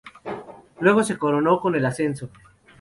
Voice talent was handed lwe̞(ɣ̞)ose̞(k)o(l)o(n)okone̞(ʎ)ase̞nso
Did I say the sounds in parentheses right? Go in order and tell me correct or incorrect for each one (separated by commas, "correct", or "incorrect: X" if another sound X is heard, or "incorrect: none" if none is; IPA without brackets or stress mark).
correct, correct, incorrect: ɾ, correct, incorrect: l